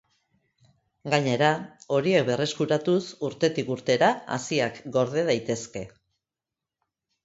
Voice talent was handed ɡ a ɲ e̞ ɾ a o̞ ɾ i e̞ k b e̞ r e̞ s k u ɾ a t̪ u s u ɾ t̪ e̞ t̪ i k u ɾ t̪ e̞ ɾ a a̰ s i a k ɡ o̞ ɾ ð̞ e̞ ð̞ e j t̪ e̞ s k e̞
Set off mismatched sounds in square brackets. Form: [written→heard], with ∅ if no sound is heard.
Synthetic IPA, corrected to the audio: ɡ a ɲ e̞ ɾ a o̞ ɾ i e̞ k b e̞ r e̞ s k u ɾ a t̪ u s u ɾ t̪ e̞ t̪ i k u ɾ t̪ e̞ ɾ a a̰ s i a k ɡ o̞ ɾ ð̞ e̞ ð̞ [e→a] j t̪ e̞ s k e̞